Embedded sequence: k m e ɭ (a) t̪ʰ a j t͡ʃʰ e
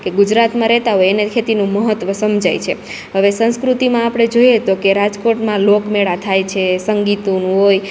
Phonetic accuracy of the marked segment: correct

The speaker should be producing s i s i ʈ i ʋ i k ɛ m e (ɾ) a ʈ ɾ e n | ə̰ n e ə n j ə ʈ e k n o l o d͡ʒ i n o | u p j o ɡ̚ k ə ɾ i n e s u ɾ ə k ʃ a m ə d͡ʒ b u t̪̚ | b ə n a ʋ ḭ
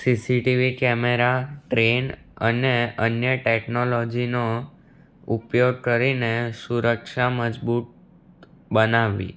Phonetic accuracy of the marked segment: correct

